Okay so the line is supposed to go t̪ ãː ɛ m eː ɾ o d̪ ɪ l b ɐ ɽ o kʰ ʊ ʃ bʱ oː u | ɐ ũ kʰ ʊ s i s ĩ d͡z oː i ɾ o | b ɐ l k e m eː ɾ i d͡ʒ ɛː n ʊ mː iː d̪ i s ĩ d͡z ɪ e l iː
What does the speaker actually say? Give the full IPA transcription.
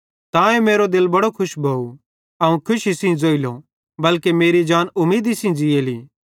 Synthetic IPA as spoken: t̪ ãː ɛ m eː ɾ o d̪ ɪ l b ɐ ɽ o kʰ ʊ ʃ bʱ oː u | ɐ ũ kʰ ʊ ʃ i s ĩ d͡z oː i l o | b ɐ l k e m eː ɾ i d͡ʒ aː n ʊ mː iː d̪ i s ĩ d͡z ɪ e l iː